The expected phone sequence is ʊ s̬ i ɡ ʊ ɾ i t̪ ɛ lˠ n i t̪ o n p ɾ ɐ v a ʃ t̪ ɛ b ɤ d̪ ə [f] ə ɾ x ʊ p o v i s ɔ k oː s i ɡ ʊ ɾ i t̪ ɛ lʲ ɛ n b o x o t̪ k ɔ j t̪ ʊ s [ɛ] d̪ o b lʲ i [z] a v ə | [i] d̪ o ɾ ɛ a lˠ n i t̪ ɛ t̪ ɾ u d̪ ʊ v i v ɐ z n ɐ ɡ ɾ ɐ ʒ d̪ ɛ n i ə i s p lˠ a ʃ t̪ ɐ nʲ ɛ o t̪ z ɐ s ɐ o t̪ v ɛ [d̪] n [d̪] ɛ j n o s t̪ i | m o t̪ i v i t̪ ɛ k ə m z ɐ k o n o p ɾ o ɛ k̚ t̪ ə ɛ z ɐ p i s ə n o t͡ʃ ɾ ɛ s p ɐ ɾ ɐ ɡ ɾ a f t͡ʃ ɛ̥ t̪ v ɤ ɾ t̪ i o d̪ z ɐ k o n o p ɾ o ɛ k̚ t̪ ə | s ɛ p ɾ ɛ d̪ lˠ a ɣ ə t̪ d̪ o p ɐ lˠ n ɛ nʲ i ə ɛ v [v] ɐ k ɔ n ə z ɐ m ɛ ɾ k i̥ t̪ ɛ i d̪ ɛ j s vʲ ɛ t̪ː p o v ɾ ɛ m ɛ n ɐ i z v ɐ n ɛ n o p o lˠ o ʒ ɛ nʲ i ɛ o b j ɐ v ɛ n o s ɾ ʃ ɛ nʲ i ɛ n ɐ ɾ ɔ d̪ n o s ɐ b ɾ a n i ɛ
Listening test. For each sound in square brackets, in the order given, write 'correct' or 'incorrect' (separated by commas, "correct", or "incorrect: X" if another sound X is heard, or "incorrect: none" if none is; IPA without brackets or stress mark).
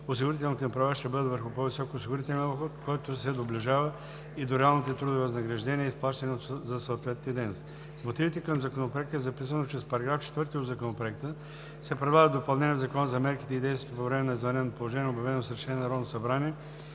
incorrect: v, correct, incorrect: ʒ, correct, incorrect: t̪, correct, incorrect: z